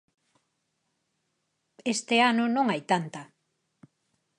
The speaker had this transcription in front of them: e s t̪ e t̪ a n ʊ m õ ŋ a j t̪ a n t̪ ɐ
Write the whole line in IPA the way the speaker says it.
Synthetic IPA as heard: e s t̪ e a n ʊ n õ ŋ a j t̪ a n t̪ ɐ

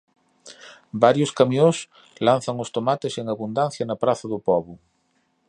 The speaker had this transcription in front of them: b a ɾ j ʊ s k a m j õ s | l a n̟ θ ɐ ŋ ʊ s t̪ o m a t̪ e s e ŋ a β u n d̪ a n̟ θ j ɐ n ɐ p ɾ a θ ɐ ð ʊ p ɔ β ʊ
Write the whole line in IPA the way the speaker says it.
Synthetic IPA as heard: b a ɾ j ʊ s k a m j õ s | l a n̟ θ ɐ ŋ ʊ s t̪ o m a t̪ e s e ŋ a β u n d̪ a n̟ θ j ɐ n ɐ p ɾ a θ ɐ ð ʊ p ɔ β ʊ

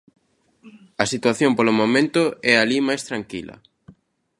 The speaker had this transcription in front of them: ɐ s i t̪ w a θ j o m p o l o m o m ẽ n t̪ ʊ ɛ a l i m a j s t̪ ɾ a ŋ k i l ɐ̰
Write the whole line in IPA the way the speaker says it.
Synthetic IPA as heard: ɐ s i t̪ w a θ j o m p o l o m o m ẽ n t̪ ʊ ɛ a l i m a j s t̪ ɾ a ŋ k i l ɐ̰

